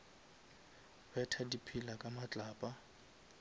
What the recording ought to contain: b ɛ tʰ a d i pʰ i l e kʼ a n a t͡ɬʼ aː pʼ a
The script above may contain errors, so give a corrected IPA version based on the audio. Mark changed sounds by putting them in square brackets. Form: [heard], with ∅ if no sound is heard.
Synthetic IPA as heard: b ɛ tʰ a d i pʰ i l [a] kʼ a [m] a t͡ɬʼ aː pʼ a